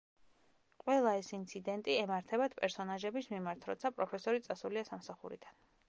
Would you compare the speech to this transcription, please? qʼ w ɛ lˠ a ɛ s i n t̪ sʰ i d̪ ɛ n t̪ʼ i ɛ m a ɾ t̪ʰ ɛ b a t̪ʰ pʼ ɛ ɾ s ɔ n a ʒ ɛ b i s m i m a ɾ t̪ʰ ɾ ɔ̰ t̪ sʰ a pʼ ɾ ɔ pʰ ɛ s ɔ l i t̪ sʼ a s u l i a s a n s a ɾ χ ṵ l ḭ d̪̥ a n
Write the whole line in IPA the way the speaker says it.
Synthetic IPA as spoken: qʼ w ɛ lˠ a ɛ s i n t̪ sʰ i d̪ ɛ n t̪ʼ i ɛ m a ɾ t̪ʰ ɛ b a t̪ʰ pʼ ɛ ɾ s ɔ n a ʒ ɛ b i s m i m a ɾ t̪ʰ ɾ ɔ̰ t̪ sʰ a pʼ ɾ ɔ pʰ ɛ s ɔ ɾ i t̪ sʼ a s u l i a s a m s a χ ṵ ɾ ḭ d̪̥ a n